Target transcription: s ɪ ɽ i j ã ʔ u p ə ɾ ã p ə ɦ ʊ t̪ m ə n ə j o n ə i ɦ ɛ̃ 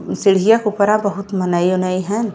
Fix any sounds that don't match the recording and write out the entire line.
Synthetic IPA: s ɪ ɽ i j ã k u p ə ɾ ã b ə ɦ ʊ t̪ m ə n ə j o n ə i ɦ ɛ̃